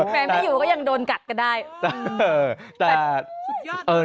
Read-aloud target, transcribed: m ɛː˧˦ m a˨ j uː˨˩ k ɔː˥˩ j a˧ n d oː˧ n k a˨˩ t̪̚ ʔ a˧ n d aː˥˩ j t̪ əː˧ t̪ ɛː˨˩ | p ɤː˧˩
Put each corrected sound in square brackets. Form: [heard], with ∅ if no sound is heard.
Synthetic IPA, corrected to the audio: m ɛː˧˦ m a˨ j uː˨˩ k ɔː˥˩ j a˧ [ŋ] d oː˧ n k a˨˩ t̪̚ [k] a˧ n d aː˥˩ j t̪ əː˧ t̪ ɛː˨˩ | [ʔ] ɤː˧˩